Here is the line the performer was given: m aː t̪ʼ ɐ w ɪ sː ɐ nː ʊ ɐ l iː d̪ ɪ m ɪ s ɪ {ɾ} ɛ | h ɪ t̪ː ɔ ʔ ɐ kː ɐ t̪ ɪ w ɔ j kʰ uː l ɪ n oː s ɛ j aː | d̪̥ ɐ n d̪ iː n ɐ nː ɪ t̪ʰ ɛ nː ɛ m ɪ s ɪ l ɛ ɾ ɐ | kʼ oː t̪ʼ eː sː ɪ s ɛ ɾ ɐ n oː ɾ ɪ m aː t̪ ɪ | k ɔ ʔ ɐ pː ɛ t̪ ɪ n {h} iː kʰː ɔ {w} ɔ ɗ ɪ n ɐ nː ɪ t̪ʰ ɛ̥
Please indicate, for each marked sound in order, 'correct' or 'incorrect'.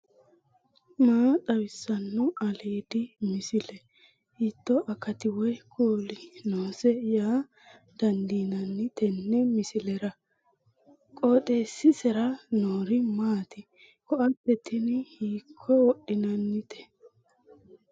incorrect: l, correct, correct

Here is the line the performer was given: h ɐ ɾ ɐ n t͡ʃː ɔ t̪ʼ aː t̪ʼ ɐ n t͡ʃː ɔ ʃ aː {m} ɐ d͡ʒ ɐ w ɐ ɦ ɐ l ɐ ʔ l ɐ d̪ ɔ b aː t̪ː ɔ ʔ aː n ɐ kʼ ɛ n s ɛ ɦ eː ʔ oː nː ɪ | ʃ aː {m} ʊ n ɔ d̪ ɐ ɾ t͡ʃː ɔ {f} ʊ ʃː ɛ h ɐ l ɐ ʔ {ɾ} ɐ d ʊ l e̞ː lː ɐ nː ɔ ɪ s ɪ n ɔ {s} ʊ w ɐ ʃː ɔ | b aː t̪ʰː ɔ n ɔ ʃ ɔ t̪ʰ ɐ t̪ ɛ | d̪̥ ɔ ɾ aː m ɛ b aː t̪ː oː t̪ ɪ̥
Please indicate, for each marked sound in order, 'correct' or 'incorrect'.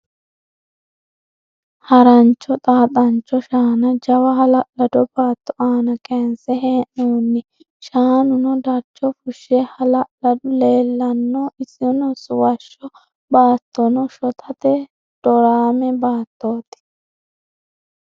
incorrect: n, incorrect: n, correct, incorrect: l, correct

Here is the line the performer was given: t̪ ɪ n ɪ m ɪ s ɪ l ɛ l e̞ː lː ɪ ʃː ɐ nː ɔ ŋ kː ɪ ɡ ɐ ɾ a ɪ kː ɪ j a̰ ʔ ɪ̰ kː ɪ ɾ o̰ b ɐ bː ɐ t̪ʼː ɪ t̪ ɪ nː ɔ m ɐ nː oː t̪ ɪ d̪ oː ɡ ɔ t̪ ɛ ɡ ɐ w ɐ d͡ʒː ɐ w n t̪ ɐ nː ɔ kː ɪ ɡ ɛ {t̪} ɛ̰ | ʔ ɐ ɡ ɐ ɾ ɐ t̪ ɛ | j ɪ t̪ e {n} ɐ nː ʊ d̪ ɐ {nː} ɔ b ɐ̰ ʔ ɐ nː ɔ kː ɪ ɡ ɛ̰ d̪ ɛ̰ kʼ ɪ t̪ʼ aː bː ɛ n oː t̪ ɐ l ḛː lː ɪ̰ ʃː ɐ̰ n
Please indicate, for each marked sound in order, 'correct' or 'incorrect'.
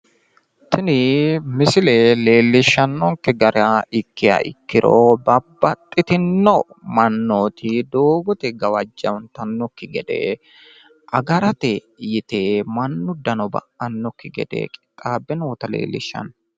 incorrect: d̪, incorrect: m, incorrect: n

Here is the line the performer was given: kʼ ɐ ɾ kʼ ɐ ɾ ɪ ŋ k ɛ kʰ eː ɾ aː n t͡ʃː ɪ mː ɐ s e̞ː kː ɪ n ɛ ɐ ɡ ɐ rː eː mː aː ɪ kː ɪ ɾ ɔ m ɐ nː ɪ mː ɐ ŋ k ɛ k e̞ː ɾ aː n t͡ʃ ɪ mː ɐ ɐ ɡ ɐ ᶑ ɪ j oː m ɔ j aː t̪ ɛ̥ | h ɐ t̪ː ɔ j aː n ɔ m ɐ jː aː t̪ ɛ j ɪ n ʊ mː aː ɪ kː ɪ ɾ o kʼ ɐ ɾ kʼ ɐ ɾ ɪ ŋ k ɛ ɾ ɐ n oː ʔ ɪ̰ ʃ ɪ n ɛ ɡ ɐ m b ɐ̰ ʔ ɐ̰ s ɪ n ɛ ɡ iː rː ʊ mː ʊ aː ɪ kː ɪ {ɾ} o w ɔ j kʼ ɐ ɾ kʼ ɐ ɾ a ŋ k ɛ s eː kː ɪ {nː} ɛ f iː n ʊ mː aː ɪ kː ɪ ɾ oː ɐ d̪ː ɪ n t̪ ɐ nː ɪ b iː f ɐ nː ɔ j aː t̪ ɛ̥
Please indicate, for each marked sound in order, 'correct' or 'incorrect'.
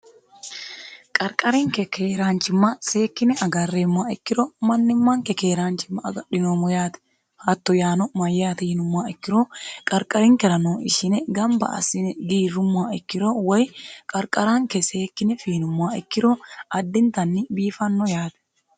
correct, incorrect: n

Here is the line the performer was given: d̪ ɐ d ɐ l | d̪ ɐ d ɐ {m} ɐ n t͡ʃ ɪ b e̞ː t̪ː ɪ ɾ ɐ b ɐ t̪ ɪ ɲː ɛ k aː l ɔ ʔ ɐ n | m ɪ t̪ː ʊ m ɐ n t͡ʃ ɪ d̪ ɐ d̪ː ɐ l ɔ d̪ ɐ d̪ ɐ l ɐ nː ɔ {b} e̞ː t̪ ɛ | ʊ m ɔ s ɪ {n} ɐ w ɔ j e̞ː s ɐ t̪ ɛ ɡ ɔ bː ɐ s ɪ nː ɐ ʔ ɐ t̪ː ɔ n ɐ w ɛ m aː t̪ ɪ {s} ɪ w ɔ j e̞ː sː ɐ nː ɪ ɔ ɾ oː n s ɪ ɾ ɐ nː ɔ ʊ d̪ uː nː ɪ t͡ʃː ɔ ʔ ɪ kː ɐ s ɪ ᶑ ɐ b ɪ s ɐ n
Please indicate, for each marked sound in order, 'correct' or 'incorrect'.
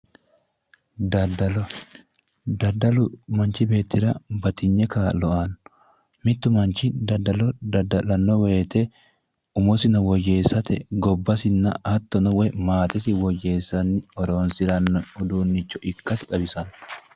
correct, incorrect: w, correct, correct

